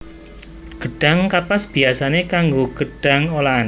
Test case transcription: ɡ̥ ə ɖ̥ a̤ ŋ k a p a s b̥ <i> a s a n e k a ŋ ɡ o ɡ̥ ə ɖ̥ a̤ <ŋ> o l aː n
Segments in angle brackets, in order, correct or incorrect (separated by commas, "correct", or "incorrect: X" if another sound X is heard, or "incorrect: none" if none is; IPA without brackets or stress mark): correct, correct